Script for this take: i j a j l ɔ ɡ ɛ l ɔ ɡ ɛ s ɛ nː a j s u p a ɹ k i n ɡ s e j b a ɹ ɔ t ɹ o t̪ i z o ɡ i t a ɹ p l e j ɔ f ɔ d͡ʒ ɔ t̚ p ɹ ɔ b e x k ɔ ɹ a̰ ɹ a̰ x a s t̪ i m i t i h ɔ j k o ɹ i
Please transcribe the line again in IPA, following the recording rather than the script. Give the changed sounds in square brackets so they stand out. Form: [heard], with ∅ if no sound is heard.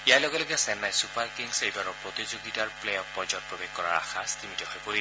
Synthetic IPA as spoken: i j a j l ɔ ɡ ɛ l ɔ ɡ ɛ s ɛ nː a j s u p a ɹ k i [ŋ] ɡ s e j b a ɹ ɔ [p] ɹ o t̪ i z o ɡ i t a ɹ p l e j ɔ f ɔ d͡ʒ ɔ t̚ p ɹ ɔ b e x k ɔ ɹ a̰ ɹ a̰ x a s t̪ i m i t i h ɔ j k o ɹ i